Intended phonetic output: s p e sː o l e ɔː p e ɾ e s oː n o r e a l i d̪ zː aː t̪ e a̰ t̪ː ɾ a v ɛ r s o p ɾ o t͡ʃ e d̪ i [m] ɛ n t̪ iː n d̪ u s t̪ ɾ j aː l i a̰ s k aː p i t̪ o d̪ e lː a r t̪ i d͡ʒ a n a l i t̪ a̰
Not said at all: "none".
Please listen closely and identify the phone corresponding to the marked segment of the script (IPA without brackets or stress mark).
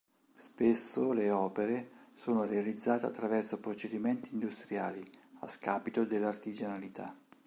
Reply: m